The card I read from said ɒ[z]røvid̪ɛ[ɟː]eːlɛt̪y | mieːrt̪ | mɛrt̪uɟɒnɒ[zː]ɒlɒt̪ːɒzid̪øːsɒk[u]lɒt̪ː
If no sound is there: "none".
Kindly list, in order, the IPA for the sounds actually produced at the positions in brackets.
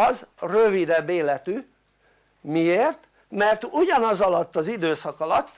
z, bː, z, ɒ

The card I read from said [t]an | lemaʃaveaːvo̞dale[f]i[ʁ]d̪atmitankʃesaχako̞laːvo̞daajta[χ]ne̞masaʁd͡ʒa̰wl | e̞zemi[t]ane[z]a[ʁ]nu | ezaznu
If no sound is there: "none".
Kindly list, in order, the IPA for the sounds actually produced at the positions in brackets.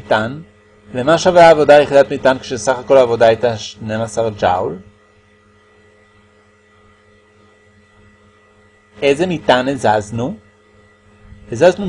t, χ, none, ʃ, t, z, z

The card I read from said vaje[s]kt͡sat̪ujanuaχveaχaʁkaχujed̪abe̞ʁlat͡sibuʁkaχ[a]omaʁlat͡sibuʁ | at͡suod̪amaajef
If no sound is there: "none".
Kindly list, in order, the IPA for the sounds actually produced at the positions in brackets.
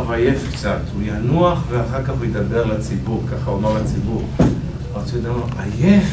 f, a

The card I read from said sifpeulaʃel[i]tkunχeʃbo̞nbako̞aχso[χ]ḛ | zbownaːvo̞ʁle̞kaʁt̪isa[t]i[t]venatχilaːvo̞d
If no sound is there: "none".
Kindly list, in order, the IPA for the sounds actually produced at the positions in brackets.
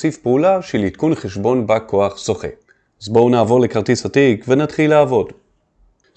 i, χ, t, k

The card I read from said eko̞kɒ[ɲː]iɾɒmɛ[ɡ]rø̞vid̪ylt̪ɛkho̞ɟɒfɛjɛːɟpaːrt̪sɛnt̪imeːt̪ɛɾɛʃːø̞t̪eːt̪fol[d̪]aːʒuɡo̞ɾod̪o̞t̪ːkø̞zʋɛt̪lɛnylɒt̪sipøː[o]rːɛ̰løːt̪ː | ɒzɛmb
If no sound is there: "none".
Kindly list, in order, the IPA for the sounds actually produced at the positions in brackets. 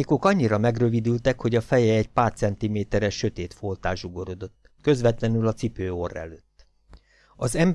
ɲː, ɡ, t̪, o

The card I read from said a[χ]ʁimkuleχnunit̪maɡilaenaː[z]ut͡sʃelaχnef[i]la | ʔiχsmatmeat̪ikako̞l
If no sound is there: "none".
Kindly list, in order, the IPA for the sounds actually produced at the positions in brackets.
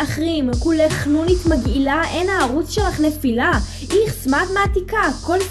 χ, ʁ, i

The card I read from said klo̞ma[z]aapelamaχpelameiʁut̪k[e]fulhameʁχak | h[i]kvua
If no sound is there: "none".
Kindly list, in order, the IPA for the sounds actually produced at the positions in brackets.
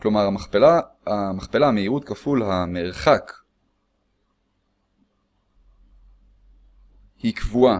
ʁ, a, i

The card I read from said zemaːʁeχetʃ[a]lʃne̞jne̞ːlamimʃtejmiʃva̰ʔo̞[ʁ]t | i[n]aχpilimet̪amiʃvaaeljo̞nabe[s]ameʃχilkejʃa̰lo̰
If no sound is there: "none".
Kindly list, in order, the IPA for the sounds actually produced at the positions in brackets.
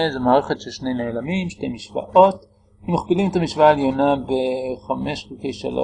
e, none, m, χ

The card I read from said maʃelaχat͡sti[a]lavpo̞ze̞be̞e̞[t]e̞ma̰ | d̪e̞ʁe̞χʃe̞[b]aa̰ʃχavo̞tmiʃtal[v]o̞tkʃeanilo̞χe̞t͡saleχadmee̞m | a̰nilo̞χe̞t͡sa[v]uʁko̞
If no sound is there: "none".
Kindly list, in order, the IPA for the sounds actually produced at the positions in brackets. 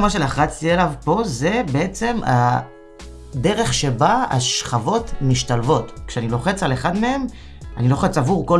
e, t͡s, b, v, v

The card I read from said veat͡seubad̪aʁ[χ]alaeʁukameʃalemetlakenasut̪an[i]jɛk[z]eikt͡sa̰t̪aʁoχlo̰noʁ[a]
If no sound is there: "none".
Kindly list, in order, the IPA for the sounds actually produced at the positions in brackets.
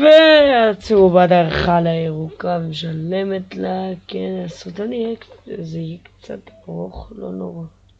χ, i, z, a

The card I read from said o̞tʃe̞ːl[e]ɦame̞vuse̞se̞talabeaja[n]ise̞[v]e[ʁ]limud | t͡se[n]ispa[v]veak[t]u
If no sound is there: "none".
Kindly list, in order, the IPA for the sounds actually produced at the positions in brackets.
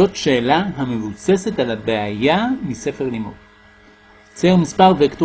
a, m, f, ʁ, m, ʁ, t

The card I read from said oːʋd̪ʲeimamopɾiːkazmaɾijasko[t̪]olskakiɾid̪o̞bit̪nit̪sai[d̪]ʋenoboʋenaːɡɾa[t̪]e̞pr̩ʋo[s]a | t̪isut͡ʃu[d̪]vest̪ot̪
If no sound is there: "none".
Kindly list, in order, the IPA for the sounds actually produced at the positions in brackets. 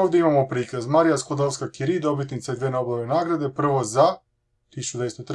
d̪, d̪, d̪, z, d̪

